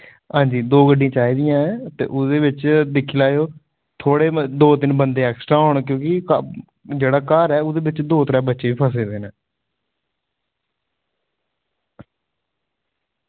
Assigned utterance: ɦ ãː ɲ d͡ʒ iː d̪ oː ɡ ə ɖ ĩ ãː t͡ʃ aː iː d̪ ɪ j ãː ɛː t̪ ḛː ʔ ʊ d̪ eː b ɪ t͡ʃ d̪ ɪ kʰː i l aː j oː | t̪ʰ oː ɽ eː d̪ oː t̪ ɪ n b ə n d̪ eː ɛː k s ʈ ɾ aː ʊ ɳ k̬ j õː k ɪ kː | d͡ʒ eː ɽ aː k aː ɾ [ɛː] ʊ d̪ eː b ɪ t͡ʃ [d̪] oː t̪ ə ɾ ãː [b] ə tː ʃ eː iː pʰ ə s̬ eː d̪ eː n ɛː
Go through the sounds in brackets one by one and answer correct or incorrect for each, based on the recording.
correct, correct, correct

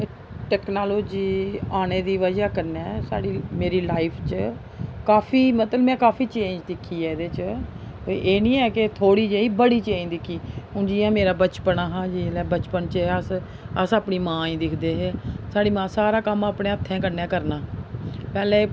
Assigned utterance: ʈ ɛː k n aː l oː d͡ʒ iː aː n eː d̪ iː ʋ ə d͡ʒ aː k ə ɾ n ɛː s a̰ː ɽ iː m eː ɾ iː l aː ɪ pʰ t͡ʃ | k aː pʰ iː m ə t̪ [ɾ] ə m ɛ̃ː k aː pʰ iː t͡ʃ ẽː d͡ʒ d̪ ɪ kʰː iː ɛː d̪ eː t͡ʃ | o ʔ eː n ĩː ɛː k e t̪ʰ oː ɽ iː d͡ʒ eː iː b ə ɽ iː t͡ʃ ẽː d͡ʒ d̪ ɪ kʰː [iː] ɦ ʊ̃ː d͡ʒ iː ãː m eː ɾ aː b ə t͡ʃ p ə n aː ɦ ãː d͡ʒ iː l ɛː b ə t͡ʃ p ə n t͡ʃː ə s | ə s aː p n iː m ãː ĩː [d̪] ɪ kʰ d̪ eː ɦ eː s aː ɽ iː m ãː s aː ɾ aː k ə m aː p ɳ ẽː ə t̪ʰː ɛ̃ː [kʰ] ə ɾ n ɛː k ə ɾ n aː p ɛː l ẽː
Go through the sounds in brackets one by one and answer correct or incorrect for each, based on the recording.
incorrect, correct, correct, incorrect

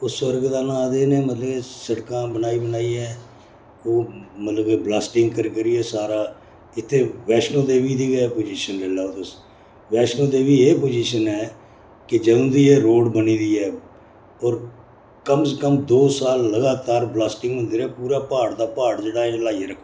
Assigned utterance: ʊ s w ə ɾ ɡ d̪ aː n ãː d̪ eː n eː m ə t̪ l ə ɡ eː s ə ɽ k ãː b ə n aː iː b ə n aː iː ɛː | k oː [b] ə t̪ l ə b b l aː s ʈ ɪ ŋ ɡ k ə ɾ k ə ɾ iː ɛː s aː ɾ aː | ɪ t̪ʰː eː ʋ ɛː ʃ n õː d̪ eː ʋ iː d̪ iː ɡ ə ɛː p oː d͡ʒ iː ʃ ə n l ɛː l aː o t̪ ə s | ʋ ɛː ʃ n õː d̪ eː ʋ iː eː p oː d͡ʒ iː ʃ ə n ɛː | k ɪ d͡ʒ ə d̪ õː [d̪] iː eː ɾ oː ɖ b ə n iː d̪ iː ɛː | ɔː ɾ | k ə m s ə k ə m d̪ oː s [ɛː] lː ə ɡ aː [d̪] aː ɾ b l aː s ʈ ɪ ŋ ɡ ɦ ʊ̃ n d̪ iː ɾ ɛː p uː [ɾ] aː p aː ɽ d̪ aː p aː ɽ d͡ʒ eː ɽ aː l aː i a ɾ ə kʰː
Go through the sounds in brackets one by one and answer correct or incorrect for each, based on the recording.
incorrect, correct, incorrect, incorrect, correct

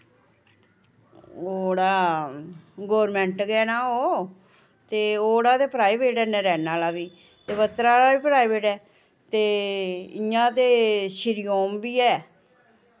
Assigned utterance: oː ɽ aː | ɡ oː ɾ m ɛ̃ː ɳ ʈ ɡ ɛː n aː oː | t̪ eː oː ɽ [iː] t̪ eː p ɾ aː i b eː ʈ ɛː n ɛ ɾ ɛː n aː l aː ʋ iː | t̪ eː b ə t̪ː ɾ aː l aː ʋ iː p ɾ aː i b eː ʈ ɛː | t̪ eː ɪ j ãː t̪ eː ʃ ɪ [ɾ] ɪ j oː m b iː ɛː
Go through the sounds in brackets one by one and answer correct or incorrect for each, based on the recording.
incorrect, correct

